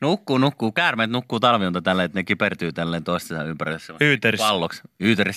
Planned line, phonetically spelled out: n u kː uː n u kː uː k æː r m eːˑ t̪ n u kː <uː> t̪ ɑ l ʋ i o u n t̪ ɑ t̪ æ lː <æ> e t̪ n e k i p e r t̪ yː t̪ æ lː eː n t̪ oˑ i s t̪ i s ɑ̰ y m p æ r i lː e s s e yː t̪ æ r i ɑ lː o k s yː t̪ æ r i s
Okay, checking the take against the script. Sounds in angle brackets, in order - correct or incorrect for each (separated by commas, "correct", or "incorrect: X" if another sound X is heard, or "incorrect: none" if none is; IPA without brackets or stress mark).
correct, incorrect: e